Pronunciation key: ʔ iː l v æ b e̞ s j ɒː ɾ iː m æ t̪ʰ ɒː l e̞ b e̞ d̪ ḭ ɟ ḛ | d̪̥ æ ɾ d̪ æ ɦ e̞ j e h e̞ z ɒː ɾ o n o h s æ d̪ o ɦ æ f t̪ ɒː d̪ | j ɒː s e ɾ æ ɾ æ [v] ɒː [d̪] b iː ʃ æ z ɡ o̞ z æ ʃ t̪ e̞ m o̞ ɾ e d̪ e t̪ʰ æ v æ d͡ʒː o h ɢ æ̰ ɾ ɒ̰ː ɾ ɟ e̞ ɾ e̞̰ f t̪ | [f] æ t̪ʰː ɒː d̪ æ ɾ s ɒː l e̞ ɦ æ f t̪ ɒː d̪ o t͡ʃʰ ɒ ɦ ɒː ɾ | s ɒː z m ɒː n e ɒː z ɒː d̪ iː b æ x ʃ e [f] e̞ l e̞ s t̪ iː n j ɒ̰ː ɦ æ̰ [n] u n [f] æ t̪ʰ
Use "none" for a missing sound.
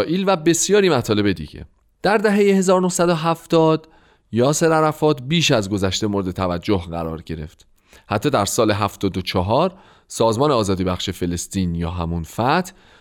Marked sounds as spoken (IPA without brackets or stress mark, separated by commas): f, t̪, h, f, m, f